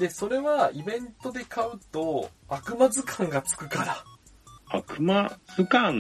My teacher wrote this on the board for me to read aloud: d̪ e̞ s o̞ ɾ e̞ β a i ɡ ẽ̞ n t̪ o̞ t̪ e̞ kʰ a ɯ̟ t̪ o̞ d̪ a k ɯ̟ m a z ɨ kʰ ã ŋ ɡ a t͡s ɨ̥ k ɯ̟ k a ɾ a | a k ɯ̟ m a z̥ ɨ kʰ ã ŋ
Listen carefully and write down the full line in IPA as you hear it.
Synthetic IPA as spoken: d̪ e̞ s o̞ ɾ e̞ β a i b ẽ̞ n t̪ o̞ d̪ e̞ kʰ a ɯ̟ t̪ o̞ a k ɯ̟ m a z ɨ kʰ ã ŋ ɡ a t͡s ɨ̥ k ɯ̟ k a ɾ a | a k ɯ̟ m a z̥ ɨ k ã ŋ